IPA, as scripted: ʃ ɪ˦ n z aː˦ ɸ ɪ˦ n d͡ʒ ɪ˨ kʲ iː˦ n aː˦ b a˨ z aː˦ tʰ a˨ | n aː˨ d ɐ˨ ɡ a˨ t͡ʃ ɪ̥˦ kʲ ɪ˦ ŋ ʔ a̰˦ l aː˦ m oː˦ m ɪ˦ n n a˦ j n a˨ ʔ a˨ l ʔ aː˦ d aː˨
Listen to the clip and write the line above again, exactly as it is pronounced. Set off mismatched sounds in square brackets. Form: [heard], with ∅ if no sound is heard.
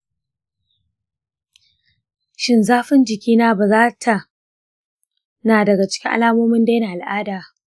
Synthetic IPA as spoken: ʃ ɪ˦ n z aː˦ ɸ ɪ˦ n d͡ʒ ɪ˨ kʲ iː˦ n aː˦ b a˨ z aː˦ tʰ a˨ | n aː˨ d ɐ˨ ɡ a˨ t͡ʃ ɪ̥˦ kʲ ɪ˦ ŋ ʔ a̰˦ l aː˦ m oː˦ m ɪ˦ n [d] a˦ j n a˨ ʔ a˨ l ʔ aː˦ d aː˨